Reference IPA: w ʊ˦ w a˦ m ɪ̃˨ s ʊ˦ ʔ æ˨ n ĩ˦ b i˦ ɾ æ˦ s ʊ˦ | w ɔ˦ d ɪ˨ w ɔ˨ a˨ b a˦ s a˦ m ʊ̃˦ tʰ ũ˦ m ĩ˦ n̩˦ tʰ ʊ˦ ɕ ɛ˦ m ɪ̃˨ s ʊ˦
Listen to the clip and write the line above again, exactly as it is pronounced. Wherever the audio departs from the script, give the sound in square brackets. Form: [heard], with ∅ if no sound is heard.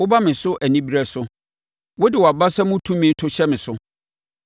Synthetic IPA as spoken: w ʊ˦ [b] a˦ m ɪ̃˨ s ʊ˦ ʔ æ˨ n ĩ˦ b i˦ ɾ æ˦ s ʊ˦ | w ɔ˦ d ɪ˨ w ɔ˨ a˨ b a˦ s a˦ m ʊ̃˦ tʰ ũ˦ m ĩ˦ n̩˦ tʰ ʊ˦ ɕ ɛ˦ m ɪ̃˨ s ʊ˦